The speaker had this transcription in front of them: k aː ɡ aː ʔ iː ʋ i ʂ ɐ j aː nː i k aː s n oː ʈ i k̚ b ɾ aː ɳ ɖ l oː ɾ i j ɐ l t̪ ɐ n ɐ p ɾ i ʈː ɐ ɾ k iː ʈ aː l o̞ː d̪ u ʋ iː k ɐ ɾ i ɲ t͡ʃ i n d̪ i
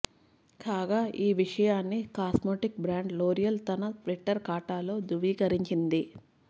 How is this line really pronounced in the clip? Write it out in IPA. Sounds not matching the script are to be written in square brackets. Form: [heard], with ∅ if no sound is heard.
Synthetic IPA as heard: k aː ɡ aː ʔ iː ʋ i ʂ ɐ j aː nː i k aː s [m] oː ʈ i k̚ b ɾ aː ɳ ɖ l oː ɾ i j ɐ l t̪ ɐ n ɐ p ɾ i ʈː ɐ ɾ k [aː] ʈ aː l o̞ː d̪ u ʋ iː k ɐ ɾ i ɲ t͡ʃ i n d̪ i

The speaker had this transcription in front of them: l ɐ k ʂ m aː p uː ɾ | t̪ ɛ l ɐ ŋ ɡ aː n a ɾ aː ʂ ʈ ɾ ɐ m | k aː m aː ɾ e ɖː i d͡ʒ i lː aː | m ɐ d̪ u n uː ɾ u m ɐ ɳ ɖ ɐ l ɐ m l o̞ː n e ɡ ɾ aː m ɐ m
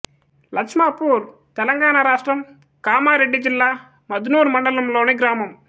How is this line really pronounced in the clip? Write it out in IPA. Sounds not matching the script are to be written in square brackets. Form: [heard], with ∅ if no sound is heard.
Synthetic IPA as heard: l ɐ k ʂ m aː p uː ɾ | t̪ ɛ l ɐ ŋ ɡ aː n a ɾ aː ʂ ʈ ɾ ɐ m | k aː m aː ɾ e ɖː i d͡ʒ i lː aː | m ɐ d̪ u n uː ɾ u m ɐ ɳ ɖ ɐ l ɐ m l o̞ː n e ɡ ɾ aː m ɐ m

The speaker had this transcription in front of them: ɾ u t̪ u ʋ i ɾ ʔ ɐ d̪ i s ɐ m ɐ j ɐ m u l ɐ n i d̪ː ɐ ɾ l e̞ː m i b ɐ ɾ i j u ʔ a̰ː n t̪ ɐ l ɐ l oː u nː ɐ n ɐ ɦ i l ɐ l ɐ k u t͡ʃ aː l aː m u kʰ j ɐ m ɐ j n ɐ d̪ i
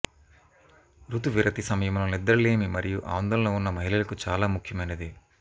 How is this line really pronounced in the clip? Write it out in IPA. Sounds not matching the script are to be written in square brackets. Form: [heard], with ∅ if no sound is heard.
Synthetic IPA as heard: ɾ u t̪ u ʋ i ɾ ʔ ɐ [t̪] i s ɐ m ɐ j ɐ m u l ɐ n i d̪ː ɐ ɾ l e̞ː m i [m] ɐ ɾ i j u ʔ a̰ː n [d̪] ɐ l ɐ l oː u nː ɐ [m] ɐ ɦ i l ɐ l ɐ k u t͡ʃ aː l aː m u kʰ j ɐ m ɐ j n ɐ d̪ i

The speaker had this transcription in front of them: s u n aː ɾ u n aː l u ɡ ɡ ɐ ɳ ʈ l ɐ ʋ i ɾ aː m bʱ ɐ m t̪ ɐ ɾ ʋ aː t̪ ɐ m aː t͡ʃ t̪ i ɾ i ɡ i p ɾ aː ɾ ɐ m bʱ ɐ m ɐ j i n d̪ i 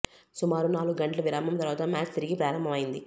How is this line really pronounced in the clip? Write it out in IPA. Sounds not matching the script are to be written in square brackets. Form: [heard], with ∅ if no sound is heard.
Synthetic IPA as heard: s u [m] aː ɾ u n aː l u ɡ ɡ ɐ ɳ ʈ l ɐ ʋ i ɾ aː m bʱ ɐ m t̪ ɐ ɾ ʋ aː t̪ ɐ m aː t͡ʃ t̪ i ɾ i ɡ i p ɾ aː ɾ ɐ m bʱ ɐ m ɐ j i n d̪ i

